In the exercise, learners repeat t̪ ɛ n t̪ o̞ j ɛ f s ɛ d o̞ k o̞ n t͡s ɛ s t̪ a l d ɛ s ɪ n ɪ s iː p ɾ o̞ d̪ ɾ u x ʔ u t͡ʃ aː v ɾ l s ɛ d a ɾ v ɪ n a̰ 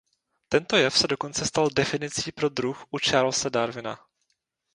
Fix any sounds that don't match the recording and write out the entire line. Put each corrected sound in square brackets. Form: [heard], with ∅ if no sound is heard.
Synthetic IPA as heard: t̪ ɛ n t̪ o̞ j ɛ f s ɛ d o̞ k o̞ n t͡s ɛ s t̪ a l d ɛ [f] ɪ n ɪ [t͡s] iː p ɾ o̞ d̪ ɾ u x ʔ u t͡ʃ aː [∅] ɾ l s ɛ d a ɾ v ɪ n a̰